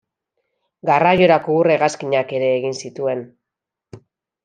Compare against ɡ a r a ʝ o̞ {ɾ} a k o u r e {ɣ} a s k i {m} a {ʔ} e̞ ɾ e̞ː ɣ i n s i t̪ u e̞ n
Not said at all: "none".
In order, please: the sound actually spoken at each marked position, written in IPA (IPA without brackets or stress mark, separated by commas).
ɾ, ɣ, ɲ, k